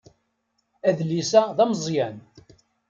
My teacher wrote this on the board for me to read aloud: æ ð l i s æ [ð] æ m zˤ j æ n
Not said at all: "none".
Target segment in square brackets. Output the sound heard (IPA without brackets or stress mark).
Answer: ð